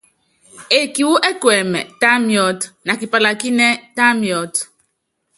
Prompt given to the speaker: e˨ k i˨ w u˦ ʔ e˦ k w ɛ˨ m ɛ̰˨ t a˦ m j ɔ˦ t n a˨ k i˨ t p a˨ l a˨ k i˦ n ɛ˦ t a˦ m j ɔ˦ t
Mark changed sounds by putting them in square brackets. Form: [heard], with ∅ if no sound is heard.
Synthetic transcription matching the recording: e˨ k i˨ w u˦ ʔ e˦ k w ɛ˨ m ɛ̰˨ t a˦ m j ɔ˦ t n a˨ k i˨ [∅] p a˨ l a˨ k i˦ n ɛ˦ t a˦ m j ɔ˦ t

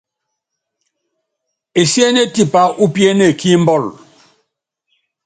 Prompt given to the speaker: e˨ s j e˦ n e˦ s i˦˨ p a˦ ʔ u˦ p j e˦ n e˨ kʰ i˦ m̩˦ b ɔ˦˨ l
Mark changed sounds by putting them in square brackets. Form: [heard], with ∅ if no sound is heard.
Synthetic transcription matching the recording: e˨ s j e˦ n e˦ [t] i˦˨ p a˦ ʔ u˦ p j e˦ n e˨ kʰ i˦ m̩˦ b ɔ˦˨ l

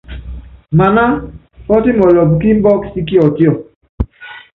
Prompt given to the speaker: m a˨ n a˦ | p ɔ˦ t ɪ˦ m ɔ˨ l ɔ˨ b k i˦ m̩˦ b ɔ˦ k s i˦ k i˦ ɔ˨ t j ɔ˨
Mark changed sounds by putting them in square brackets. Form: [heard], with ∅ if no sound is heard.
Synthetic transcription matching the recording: m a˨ n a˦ | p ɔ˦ t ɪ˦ m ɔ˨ l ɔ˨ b k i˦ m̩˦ b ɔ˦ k s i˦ k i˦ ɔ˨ t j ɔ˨

